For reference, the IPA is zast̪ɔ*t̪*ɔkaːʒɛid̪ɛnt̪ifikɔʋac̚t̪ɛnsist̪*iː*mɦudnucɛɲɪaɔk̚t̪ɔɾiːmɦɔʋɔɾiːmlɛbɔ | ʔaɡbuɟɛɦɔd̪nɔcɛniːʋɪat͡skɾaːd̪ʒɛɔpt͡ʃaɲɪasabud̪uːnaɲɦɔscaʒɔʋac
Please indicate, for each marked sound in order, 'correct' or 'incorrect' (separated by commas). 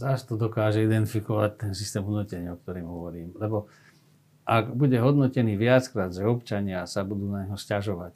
incorrect, incorrect